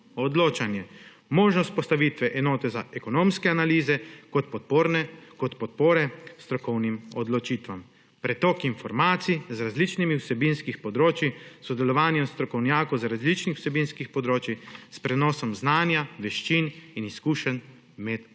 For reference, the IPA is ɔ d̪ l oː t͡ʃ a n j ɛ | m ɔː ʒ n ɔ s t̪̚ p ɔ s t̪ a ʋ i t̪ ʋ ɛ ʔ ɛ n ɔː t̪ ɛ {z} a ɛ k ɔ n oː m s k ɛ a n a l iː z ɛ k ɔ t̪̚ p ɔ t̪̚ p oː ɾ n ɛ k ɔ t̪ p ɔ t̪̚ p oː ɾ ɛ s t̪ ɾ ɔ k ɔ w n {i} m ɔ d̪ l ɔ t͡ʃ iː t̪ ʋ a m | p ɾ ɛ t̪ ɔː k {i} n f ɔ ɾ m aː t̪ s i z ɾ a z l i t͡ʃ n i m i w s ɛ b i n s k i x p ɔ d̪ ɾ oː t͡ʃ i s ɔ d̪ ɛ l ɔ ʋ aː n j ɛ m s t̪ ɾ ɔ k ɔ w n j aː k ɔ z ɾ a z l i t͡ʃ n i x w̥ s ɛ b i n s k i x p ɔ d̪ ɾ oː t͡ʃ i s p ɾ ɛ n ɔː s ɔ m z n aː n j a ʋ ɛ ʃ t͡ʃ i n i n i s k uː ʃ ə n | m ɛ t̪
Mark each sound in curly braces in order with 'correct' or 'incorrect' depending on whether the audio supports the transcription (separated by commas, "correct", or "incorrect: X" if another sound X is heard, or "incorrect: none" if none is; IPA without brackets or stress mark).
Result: correct, correct, correct